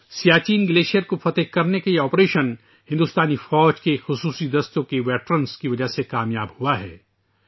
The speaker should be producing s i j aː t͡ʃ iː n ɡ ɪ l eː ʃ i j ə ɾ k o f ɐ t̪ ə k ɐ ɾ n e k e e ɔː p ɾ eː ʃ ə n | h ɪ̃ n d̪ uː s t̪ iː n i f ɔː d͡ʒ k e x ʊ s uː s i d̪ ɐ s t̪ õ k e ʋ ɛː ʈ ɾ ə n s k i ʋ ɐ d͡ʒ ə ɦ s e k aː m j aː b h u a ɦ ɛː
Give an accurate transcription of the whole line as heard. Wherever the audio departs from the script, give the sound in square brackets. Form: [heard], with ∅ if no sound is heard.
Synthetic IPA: s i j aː t͡ʃ iː n ɡ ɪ l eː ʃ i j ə ɾ k o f ɐ t̪ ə k ɐ ɾ n e k e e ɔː p ɾ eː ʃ ə n | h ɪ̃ n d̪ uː s t̪ [aː] n i f ɔː d͡ʒ k e x ʊ s uː s i d̪ ɐ s t̪ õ k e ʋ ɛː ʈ ɾ ə n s k i ʋ ɐ d͡ʒ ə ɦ s e k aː m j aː b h u a ɦ ɛː

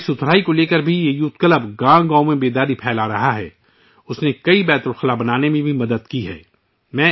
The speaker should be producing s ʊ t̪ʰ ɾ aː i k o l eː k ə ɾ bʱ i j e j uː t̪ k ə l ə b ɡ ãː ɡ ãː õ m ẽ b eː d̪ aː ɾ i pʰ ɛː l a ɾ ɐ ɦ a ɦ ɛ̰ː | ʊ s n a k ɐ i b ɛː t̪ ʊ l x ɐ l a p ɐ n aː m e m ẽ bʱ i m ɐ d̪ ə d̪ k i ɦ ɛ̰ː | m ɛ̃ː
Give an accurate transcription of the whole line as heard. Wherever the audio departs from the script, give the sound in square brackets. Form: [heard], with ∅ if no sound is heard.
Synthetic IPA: s ʊ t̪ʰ ɾ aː i k o l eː k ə ɾ bʱ i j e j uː t̪ k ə l ə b ɡ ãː ɡ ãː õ m ẽ b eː d̪ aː ɾ i pʰ ɛː l a ɾ ɐ ɦ a ɦ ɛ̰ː | ʊ s n [e] k ɐ i b ɛː t̪ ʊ l x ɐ l a [b] ɐ n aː [n] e m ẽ bʱ i m ɐ d̪ ə d̪ k i ɦ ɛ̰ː | m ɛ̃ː

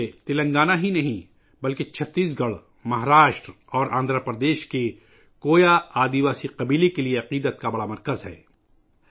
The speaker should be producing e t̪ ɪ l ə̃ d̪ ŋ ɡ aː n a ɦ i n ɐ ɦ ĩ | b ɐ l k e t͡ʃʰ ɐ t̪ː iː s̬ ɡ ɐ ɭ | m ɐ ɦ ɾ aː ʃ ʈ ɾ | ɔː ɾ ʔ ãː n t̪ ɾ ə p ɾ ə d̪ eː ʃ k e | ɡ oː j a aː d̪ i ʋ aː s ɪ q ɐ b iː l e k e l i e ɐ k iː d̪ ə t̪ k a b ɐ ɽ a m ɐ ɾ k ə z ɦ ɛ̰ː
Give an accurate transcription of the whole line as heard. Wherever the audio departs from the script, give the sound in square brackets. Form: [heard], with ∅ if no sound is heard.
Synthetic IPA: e t̪ ɪ l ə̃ [∅] ŋ ɡ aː n a ɦ i n ɐ ɦ ĩ | b ɐ l k e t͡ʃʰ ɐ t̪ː iː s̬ ɡ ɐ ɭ | m ɐ ɦ ɾ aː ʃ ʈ ɾ | ɔː ɾ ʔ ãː n [d̪] ɾ ə p ɾ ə d̪ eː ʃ k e | [k] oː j a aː d̪ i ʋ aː s [i] q ɐ b iː l e k e l i e ɐ [q] iː d̪ ə t̪ k a b ɐ ɽ a m ɐ ɾ k ə z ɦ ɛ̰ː

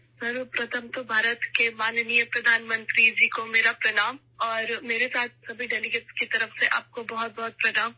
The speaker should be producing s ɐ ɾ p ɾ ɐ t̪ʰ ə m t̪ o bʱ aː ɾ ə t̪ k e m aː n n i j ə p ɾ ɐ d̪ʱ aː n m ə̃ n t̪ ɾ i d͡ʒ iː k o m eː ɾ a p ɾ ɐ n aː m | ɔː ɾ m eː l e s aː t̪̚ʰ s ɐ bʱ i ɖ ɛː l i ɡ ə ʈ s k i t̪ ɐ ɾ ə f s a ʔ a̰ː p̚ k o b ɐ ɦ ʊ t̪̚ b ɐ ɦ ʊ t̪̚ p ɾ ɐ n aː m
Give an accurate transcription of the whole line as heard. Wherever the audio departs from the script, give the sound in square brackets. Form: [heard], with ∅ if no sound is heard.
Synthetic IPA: s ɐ ɾ p ɾ ɐ t̪ʰ ə m t̪ o bʱ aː ɾ ə t̪ k e m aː n n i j ə p ɾ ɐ d̪ʱ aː n m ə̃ n t̪ ɾ i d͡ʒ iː k o m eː ɾ a p ɾ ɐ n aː m | ɔː ɾ m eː [ɾ] e s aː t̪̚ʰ s ɐ bʱ i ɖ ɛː l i ɡ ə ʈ s k i t̪ ɐ ɾ ə f s [e] ʔ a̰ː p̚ k o b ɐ ɦ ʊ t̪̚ b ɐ ɦ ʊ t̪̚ p ɾ ɐ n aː m

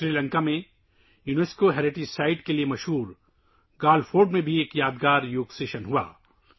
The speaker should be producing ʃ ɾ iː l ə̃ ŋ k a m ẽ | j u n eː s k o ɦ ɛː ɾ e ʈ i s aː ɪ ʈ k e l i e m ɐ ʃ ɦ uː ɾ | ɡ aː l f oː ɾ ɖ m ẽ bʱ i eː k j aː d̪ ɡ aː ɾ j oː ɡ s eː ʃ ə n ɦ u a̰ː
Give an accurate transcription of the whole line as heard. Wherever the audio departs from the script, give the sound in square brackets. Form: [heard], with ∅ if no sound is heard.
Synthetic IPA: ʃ ɾ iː l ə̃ ŋ k a m ẽ | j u n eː s k o ɦ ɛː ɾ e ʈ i s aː ɪ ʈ k e l i e m ɐ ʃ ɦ uː ɾ | ɡ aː l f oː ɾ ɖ m ẽ bʱ i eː k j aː d̪ ɡ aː ɾ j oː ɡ s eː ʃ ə n ɦ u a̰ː

